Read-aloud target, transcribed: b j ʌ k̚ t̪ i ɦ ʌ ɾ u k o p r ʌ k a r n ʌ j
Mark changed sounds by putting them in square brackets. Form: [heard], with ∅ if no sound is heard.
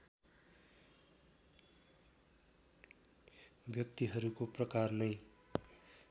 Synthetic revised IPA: b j ʌ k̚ t̪ i ɦ ʌ ɾ u k o p r ʌ k a r n ʌ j

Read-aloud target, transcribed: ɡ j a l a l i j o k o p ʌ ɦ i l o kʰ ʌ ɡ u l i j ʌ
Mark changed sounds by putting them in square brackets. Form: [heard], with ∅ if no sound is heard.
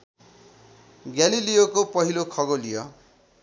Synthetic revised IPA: ɡ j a l [i] l i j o k o p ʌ ɦ i l o kʰ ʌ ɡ [o] l i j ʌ

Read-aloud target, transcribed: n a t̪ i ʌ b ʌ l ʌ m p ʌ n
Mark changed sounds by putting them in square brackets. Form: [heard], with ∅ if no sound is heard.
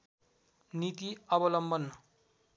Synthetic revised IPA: n [i] t̪ i ʌ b ʌ l ʌ m [b] ʌ n

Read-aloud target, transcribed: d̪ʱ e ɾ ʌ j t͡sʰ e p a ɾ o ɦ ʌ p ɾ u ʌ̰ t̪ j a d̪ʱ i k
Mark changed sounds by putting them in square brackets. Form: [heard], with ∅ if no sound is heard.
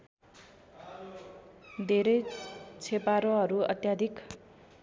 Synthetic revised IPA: d̪ʱ e ɾ ʌ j t͡sʰ e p a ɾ o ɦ ʌ [∅] ɾ u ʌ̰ t̪ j a d̪ʱ i k

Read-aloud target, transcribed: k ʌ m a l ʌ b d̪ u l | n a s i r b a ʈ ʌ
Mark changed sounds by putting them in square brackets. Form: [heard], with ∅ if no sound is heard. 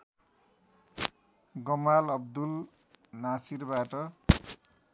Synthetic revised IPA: [ɡ] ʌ m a l ʌ b d̪ u l | n a s i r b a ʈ ʌ

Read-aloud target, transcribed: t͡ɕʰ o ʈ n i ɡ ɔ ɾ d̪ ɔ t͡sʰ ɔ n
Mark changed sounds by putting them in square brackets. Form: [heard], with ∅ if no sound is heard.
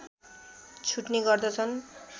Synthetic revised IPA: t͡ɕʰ [u] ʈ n i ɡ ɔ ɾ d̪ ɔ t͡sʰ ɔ n

